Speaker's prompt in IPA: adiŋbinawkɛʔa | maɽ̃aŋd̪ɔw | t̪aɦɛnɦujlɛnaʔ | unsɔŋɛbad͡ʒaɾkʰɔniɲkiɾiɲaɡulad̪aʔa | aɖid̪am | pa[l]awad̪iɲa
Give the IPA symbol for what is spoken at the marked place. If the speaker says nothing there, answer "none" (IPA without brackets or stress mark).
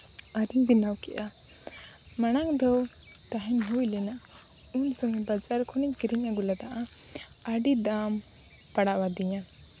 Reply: ɽ